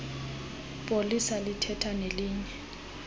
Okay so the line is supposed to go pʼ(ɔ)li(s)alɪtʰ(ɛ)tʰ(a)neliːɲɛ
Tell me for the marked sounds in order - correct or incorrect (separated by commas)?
incorrect, correct, correct, correct